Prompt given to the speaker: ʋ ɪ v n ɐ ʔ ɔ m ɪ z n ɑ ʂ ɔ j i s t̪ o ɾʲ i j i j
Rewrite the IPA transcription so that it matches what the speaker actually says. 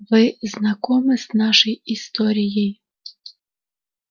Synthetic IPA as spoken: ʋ ɪ z n ɐ k ɔ m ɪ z n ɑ ʃ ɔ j i s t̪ ɔ ɾʲ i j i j